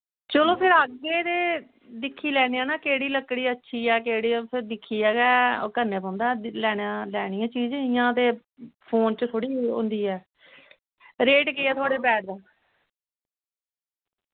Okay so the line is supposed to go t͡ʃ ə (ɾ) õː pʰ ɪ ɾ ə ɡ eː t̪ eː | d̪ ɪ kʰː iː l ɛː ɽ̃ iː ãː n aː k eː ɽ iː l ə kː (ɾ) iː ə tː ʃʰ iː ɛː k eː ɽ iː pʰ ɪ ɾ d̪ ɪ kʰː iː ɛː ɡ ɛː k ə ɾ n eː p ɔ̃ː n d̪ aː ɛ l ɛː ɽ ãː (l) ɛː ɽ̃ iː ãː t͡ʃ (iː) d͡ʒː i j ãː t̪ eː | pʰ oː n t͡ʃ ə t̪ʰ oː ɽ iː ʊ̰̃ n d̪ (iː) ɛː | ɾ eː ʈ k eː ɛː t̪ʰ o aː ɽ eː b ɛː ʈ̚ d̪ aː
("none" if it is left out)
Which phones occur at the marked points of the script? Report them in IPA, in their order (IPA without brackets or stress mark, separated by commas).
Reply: l, ɽ, l, iː, iː